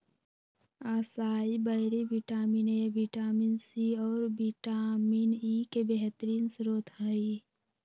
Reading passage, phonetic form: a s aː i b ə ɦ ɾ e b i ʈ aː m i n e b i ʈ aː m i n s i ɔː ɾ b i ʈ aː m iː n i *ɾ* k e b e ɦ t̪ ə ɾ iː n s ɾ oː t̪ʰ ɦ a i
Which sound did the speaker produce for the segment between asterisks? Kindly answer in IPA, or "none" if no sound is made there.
none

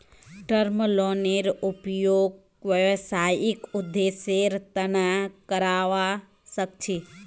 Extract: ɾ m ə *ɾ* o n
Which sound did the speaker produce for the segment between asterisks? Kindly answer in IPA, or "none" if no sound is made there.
l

